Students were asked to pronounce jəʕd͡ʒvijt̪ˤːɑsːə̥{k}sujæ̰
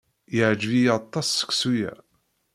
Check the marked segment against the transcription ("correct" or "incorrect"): correct